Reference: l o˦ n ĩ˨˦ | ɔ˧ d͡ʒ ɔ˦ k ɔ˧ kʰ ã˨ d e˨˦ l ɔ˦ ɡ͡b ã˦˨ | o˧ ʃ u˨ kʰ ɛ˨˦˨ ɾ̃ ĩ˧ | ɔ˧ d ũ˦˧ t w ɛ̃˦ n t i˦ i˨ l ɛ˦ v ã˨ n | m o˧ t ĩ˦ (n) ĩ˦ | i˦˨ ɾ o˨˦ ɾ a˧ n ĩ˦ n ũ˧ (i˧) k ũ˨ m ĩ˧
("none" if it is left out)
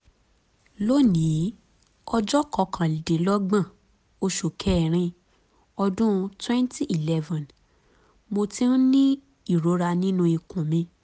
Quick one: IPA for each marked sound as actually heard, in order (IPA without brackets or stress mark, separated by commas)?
n, i˧